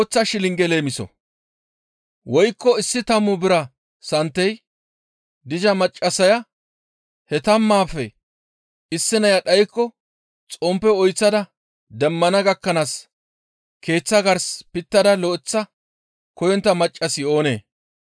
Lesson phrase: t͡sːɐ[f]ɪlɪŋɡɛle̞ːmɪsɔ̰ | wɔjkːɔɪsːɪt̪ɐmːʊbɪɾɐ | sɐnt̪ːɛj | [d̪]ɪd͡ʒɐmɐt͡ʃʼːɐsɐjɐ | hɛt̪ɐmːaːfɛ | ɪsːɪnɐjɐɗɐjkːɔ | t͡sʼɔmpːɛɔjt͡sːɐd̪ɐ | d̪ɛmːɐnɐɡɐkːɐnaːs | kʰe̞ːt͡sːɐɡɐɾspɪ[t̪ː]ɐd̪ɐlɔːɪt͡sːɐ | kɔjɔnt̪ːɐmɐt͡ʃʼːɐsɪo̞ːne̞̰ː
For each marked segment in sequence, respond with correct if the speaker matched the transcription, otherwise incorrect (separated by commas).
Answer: incorrect, correct, correct